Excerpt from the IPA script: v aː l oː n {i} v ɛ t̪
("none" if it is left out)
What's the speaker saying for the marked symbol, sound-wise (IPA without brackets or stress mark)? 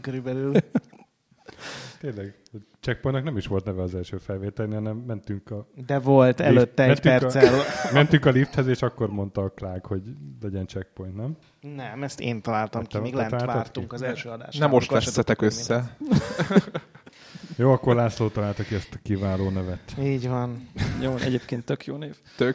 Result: ɛ